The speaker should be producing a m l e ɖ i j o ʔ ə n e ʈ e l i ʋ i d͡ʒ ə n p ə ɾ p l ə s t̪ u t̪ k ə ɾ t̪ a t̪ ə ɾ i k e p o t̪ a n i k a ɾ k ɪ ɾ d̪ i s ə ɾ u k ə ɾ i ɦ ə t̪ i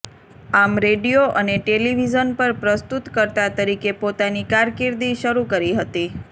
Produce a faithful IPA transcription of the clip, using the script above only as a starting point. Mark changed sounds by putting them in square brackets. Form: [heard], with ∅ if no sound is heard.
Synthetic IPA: a m [ɾ] e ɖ i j o ʔ ə n e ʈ e l i ʋ i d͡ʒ ə n p ə ɾ p [ɾ] ə s t̪ u t̪ k ə ɾ t̪ a t̪ ə ɾ i k e p o t̪ a n i k a ɾ k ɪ ɾ d̪ i [ʃ] ə ɾ u k ə ɾ i ɦ ə t̪ i